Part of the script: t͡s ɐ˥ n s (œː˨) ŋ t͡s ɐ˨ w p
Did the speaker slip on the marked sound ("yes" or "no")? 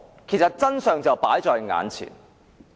no